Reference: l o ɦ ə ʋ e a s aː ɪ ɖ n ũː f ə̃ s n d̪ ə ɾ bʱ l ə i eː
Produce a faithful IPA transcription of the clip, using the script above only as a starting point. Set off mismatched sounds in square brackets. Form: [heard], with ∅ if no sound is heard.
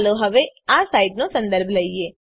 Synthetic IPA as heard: l o ɦ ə ʋ e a s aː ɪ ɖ n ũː [s] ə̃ [∅] n d̪ ə ɾ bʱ l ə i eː